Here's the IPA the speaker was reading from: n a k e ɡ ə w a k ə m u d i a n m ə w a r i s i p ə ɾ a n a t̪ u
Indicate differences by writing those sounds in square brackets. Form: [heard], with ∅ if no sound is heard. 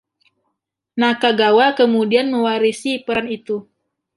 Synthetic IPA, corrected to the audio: n a k [a] ɡ [a] w a k ə m u d i a n m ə w a [ɾ] i s i p ə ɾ a n [i] t̪ u